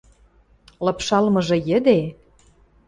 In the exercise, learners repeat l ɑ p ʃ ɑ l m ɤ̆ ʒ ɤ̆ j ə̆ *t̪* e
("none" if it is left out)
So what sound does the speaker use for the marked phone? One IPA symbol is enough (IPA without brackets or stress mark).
d̪